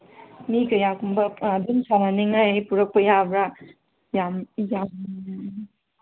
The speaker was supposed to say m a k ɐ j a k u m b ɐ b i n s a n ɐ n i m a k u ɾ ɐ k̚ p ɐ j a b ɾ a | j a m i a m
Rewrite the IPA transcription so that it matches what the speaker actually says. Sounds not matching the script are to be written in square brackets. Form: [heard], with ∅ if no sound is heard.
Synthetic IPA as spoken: m [i] k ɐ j a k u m b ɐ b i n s a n [a] n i [ŋ] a [p] u ɾ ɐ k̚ p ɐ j a b ɾ a | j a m [j] a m

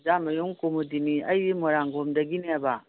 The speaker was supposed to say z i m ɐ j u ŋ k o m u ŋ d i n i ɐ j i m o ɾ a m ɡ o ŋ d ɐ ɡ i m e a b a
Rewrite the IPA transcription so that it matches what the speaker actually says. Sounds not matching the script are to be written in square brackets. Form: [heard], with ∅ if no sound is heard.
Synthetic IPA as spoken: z [a] m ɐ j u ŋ k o m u [∅] d i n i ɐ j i m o ɾ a [ŋ] ɡ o [m] d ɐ ɡ i [n] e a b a

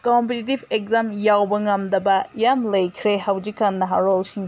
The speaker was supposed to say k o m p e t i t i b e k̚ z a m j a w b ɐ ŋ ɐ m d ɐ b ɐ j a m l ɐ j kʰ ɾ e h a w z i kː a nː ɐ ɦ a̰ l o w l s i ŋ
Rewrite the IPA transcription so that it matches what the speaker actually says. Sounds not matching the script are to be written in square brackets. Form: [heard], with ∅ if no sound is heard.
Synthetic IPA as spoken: k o m p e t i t i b e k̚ z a m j a w b ɐ ŋ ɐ m d ɐ b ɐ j a m l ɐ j kʰ ɾ e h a w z i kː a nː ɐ ɦ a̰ [ɾ] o [∅] l s i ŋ

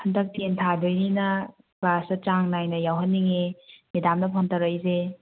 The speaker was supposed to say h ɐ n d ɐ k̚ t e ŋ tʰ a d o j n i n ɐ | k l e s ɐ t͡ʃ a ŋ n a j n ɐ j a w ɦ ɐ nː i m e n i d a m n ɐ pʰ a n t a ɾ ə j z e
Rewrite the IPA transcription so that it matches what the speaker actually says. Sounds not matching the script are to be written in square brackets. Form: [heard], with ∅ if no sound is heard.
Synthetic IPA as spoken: h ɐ n d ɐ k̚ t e [n] tʰ a d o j n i n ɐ | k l [a] s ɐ t͡ʃ a ŋ n a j n ɐ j a w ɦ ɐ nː i [ŋ] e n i d a m n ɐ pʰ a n t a ɾ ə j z e

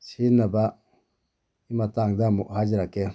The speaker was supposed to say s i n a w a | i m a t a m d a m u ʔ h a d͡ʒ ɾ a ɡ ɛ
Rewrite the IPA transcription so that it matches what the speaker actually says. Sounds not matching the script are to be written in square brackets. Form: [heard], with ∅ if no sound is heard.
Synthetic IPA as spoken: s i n a [b] a | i m a t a [ŋ] d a m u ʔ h a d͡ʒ ɾ a [k] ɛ

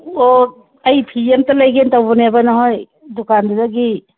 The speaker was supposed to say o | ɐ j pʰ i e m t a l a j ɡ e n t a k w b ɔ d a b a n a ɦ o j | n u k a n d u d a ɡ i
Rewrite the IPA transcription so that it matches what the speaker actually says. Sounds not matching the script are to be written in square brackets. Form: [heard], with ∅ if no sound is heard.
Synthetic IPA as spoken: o | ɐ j pʰ i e m t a l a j ɡ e n t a [∅] w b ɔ [n] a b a n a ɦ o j | [d] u k a n d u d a ɡ i

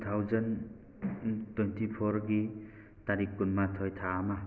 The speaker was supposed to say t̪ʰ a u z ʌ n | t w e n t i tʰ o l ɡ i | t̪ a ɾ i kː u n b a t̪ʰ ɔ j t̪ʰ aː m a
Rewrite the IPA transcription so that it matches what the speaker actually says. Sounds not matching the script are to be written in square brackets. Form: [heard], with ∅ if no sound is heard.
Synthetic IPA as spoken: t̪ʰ a [w] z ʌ n | t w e n t i [pʰ] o [ɾ] ɡ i | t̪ a ɾ i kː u n [m] a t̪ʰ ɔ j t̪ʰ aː m a

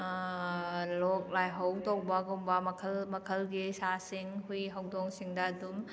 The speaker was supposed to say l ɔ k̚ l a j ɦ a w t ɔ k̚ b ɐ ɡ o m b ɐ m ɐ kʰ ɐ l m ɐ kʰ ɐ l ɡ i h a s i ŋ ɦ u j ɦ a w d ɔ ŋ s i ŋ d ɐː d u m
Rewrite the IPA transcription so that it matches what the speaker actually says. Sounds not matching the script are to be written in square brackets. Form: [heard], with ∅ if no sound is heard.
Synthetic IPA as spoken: l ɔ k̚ l a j ɦ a w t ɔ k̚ b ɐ ɡ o m b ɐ m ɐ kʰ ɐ l m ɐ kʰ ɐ l ɡ i [s] a s i ŋ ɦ u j ɦ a w d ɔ ŋ s i ŋ d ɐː d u m

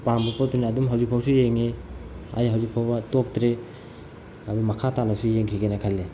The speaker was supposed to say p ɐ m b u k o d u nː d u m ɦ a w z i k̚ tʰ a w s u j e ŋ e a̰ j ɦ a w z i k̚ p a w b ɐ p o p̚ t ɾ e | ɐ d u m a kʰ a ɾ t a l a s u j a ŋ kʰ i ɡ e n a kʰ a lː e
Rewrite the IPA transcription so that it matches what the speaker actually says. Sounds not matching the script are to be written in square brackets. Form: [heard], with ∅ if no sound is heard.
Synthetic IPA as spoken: p [a] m b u [p] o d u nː d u m ɦ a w z i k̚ [pʰ] a w s u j e ŋ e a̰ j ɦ a w z i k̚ [pʰ] a w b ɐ [t] o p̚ t ɾ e | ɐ d u m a kʰ a [∅] t a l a s u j [e] ŋ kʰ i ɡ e n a kʰ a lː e

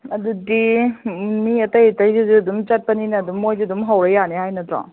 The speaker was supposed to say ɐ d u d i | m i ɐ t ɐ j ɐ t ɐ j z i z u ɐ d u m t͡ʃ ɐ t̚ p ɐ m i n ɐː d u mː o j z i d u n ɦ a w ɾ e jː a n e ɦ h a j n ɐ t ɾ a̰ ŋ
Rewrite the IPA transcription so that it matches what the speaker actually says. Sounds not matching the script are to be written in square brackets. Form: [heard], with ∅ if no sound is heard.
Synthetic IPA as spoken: ɐ d u d i | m i ɐ t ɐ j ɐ t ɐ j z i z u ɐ d u m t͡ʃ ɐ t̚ p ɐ [n] i n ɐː d u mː o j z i d u [m] ɦ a w ɾ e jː a n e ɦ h a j n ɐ t ɾ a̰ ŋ

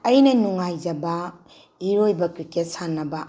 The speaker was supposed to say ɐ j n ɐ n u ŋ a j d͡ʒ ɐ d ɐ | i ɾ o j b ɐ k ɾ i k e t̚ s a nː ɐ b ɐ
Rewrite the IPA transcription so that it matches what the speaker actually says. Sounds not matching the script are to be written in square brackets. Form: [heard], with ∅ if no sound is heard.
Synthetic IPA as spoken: ɐ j n ɐ n u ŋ a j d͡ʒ ɐ [b] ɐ | i ɾ o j b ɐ k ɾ i k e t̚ s a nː ɐ b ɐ

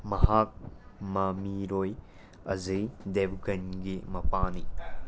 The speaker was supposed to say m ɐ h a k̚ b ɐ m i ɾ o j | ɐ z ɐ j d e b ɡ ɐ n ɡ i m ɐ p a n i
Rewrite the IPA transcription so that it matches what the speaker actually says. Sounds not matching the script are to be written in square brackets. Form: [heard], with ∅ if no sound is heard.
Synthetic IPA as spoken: m ɐ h a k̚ [m] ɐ m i ɾ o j | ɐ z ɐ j d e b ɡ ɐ n ɡ i m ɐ p a n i

